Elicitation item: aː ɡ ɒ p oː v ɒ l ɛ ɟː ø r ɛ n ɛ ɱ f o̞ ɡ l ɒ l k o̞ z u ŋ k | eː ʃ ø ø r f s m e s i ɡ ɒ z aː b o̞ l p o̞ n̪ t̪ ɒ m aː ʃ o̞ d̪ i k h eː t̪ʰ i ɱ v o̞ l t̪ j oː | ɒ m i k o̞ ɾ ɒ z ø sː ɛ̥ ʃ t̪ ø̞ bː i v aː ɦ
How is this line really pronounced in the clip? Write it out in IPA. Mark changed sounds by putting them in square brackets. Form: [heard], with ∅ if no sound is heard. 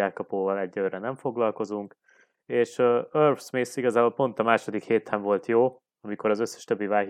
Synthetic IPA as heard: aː [k] ɒ p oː v ɒ l ɛ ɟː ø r ɛ n ɛ ɱ f o̞ ɡ l ɒ l k o̞ z u ŋ k | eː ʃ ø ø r f s m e s i ɡ ɒ z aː b o̞ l p o̞ n̪ t̪ ɒ m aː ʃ o̞ d̪ i k h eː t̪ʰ [ɛ] ɱ v o̞ l t̪ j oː | ɒ m i k o̞ ɾ ɒ z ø sː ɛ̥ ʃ t̪ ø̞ bː i v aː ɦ